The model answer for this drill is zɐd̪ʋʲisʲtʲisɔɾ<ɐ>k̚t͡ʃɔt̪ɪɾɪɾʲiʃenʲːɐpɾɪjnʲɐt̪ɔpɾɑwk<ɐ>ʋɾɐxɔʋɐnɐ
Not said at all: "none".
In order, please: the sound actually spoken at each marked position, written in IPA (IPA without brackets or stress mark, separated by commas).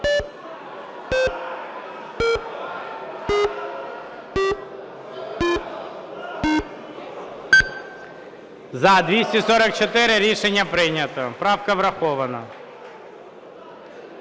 ɐ, ɐ